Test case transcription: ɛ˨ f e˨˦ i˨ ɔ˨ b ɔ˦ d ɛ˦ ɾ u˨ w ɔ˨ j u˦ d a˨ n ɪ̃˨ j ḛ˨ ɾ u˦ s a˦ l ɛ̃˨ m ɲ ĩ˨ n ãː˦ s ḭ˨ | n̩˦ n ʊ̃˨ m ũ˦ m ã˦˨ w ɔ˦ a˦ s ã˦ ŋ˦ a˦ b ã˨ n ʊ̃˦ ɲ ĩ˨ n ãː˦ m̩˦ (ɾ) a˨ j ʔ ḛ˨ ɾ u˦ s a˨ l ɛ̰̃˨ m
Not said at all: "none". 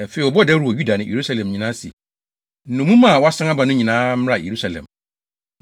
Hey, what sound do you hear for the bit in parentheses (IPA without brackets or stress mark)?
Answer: ɾ